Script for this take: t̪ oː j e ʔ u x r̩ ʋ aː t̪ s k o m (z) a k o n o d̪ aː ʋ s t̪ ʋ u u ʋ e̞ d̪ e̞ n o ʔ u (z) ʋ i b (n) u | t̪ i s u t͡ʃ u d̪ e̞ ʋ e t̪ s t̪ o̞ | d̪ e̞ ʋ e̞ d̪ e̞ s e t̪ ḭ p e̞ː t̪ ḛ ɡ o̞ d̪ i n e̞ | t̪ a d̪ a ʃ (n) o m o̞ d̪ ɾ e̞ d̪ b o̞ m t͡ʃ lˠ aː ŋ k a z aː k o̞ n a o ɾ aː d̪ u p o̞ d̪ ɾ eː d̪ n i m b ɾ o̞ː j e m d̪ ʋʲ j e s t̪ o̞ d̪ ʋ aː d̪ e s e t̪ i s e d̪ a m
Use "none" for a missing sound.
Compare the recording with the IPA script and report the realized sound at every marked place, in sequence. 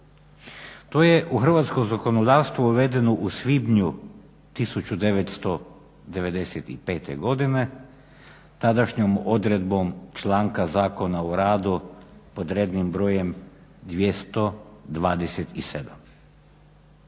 z, s, ɲ, ɲ

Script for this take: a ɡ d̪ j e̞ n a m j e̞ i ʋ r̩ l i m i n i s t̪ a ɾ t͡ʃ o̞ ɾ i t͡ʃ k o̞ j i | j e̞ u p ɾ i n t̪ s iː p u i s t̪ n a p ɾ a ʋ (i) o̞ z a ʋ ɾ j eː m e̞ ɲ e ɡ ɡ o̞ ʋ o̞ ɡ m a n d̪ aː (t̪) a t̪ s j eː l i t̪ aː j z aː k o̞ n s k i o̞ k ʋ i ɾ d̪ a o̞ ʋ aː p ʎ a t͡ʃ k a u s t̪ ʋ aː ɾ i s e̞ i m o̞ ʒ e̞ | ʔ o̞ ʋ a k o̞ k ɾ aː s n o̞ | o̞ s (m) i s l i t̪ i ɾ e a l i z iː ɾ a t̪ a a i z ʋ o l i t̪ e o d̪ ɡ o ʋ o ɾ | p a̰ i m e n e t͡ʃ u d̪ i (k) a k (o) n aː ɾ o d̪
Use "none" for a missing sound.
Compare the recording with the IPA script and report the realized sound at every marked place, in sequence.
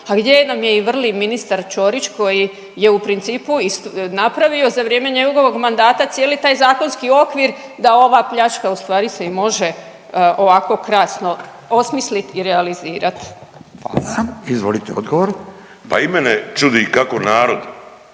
i, t̪, m, k, o

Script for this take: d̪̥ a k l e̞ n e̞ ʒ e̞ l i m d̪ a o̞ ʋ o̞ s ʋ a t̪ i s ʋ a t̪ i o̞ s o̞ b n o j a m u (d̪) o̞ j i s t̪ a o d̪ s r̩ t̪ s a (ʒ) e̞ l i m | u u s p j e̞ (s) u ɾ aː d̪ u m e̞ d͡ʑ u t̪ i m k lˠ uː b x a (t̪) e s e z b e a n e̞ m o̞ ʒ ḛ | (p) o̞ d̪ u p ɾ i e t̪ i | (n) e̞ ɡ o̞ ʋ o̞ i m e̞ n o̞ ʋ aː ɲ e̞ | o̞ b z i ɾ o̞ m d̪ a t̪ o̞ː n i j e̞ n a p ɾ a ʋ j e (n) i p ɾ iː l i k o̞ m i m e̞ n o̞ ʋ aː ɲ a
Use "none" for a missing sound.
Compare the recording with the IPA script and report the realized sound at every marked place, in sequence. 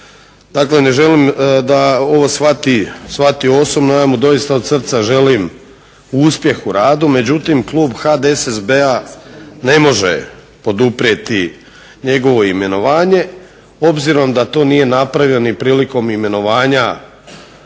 d̪, ʒ, x, d̪, p, ɲ, n

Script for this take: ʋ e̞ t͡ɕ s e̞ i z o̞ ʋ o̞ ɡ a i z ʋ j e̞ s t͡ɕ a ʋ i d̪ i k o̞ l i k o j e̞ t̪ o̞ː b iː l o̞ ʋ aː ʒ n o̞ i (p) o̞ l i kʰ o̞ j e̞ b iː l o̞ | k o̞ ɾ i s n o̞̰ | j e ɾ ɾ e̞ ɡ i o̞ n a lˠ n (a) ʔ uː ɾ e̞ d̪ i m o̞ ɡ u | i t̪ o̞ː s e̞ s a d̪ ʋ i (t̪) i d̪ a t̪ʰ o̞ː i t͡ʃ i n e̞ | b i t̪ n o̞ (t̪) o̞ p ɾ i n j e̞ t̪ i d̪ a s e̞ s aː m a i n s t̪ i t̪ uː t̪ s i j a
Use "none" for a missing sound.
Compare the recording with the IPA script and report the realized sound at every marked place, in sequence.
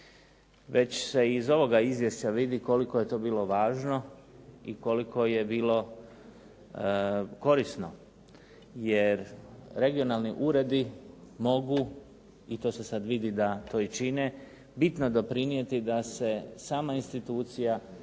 k, i, d̪, d̪

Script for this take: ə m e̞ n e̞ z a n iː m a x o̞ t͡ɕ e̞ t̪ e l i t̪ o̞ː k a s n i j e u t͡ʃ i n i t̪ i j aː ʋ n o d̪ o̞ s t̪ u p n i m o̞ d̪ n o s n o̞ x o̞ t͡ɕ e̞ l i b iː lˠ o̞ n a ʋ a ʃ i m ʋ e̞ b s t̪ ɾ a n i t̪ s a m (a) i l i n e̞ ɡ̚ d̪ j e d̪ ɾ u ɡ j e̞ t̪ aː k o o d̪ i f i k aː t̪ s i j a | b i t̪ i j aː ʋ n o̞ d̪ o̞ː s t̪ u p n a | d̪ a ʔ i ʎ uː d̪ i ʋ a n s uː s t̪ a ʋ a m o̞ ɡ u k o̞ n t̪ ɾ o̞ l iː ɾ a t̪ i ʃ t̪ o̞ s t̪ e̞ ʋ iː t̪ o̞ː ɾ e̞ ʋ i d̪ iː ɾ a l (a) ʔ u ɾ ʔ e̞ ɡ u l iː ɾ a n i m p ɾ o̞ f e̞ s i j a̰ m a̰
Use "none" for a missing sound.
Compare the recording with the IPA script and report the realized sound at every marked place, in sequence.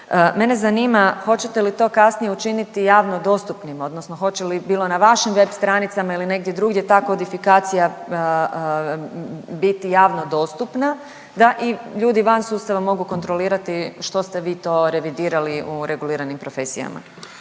a, i

